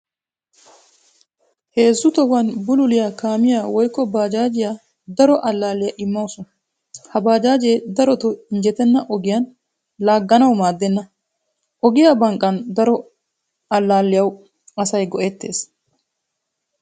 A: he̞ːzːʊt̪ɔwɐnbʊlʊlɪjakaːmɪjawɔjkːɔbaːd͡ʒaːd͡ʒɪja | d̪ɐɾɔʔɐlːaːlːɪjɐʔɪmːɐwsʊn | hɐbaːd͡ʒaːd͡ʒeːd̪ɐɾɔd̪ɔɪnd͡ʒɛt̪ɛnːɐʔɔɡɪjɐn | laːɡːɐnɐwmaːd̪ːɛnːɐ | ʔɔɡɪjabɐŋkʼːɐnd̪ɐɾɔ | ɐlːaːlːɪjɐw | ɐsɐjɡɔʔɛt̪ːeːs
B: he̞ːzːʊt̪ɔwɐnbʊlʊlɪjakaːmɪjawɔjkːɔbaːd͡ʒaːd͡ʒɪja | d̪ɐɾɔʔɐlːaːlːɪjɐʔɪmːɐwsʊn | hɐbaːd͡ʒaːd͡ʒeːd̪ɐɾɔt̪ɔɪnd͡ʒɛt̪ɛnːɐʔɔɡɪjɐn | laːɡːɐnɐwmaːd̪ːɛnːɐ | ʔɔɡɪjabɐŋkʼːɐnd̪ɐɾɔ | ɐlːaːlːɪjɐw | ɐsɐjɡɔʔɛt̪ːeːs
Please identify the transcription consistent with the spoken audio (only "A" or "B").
B